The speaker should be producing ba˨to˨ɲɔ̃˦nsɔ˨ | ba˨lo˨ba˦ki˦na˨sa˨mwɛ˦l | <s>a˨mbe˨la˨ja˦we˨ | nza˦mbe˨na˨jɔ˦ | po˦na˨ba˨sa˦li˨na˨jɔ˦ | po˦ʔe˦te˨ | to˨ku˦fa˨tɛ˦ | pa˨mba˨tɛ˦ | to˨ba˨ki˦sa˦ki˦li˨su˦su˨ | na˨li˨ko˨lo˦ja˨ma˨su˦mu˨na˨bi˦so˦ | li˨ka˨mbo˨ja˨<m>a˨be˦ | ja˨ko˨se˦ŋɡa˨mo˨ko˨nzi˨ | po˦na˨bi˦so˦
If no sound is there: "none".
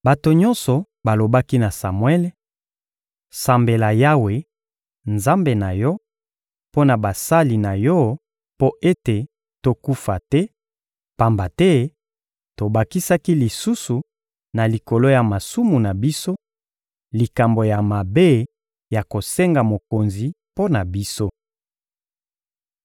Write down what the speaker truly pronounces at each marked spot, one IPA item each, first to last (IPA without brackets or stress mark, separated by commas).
s, m